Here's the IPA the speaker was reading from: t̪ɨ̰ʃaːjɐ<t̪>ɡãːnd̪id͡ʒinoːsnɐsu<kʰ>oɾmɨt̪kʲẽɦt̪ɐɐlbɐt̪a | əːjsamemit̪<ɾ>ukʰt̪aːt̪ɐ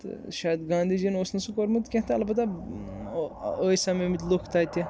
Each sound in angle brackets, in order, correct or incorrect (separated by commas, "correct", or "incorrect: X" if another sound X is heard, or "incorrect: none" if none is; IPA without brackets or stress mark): incorrect: d̪, incorrect: k, incorrect: l